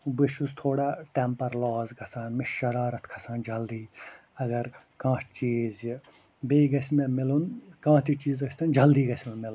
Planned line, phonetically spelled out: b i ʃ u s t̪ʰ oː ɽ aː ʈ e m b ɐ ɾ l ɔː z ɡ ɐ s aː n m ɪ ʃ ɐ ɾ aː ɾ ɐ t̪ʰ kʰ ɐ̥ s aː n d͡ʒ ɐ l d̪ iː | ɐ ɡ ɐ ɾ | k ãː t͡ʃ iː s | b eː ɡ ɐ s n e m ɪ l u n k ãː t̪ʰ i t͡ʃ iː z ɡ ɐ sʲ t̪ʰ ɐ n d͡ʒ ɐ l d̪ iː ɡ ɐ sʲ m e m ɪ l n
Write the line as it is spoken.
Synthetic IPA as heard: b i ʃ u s t̪ʰ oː ɽ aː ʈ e m p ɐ ɾ l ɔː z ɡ ɐ s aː n m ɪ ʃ ɐ ɾ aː ɾ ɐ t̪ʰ kʰ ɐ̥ s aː n d͡ʒ ɐ l d̪ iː | ɐ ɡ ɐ ɾ | k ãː t͡ʃ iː z | b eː ɡ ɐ s m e m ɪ l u n k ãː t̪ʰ i t͡ʃ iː z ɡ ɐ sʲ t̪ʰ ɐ n d͡ʒ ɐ l d̪ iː ɡ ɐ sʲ m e m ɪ l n

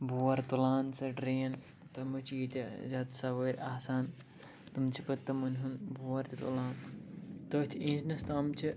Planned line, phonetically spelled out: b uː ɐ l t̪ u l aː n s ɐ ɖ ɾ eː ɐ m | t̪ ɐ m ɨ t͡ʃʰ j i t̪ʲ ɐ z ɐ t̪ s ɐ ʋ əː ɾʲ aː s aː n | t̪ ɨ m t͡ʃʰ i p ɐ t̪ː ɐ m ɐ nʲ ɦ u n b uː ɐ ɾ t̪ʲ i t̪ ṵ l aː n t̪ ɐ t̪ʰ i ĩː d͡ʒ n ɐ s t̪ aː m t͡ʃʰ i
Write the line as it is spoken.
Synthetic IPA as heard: b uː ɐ ɾ t̪ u l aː n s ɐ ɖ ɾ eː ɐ n | t̪ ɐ m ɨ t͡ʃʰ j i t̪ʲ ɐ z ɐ t̪ s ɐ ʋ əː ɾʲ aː s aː n | t̪ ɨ m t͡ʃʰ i p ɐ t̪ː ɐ m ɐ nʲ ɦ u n b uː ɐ ɾ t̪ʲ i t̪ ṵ l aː n t̪ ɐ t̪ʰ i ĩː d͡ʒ n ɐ s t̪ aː m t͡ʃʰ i

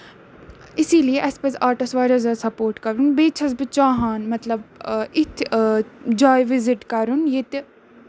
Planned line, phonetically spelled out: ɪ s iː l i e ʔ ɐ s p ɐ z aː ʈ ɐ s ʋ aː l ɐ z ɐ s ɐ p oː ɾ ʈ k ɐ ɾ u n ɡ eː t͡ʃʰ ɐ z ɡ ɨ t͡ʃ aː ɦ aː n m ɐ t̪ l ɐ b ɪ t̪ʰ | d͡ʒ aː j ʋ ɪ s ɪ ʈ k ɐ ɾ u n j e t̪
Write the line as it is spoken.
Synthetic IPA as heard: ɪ s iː l i e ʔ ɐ s p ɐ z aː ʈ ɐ s ʋ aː ɾ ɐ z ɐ s ɐ p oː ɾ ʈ k ɐ ɾ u n b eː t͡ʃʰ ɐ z b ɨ t͡ʃ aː ɦ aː n m ɐ t̪ l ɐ b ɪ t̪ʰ | d͡ʒ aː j ʋ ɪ z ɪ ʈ k ɐ ɾ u n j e t̪

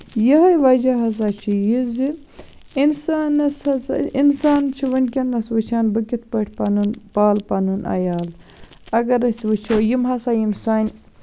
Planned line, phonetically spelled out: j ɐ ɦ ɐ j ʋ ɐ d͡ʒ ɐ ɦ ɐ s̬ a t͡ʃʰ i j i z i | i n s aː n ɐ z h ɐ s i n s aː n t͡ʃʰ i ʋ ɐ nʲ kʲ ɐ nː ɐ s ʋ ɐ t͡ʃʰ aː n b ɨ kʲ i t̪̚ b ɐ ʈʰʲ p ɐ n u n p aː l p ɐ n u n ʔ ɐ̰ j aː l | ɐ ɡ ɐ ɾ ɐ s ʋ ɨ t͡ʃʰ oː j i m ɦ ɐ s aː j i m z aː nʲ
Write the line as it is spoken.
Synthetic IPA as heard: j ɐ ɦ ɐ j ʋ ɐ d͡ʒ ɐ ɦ ɐ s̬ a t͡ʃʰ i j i z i | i n s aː n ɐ s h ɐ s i n s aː n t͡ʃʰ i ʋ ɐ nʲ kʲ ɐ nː ɐ s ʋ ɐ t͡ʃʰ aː n b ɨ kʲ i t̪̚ p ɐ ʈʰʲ p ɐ n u n p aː l p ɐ n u n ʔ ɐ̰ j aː l | ɐ ɡ ɐ ɾ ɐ s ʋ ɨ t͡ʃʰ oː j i m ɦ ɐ s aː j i m s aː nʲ

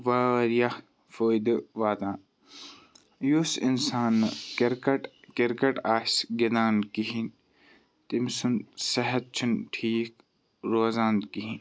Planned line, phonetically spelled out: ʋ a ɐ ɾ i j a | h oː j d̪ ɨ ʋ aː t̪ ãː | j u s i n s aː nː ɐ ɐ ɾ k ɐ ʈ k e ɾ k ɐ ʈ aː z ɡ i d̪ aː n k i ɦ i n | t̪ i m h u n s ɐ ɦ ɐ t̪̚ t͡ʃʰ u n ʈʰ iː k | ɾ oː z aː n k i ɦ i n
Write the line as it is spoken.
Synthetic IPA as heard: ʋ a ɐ ɾ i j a | f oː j d̪ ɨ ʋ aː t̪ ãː | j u s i n s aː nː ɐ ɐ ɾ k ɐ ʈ k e ɾ k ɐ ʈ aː s ɡ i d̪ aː n k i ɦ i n | t̪ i m s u n s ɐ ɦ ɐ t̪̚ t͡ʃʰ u n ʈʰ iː k | ɾ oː z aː n k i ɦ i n

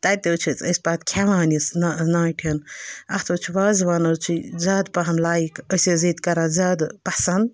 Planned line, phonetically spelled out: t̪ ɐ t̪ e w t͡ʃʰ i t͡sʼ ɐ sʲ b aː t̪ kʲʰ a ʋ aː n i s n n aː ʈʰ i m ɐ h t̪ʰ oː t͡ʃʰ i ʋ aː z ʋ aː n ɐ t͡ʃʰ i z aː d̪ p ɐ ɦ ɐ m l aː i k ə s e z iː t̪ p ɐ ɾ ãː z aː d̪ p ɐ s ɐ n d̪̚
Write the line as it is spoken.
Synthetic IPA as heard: t̪ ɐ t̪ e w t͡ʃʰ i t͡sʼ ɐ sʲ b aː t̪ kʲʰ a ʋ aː n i s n n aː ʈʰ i n ɐ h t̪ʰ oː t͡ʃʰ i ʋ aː z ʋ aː n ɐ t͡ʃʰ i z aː d̪ p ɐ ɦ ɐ m l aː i k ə s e z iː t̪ k ɐ ɾ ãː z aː d̪ p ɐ s ɐ n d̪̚

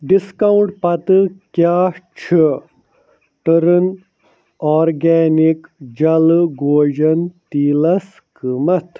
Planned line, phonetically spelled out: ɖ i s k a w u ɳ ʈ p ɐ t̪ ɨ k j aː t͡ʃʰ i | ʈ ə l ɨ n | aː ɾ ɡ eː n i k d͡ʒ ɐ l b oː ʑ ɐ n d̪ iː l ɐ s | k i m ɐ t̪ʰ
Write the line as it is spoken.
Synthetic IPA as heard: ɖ i s k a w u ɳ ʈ p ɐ t̪ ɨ k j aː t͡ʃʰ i | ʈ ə ɾ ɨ n | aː ɾ ɡ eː n i k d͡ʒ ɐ l ɡ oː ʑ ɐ n t̪ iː l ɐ s | k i m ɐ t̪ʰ

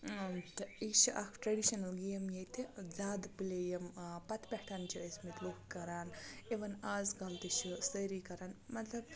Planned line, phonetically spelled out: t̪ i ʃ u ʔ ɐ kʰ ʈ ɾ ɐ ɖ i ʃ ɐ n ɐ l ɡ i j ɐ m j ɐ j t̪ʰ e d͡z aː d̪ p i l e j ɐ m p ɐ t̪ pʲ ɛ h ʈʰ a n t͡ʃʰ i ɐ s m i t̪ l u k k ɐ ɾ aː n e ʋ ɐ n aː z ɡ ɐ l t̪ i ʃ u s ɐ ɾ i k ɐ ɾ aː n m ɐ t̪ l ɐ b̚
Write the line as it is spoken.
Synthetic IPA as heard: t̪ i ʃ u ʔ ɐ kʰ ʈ ɾ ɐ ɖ i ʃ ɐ n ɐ l ɡ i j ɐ m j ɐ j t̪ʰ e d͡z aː d̪ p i l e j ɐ m p ɐ t̪ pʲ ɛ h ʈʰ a n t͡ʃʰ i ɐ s m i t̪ l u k k ɐ ɾ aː n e ʋ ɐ n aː z ɡ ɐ l t̪ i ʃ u s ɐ ɾ i k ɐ ɾ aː n m ɐ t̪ l ɐ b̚

